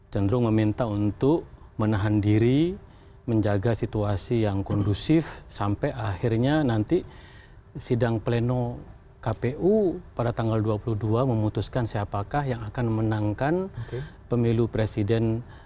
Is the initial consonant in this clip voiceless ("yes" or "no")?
yes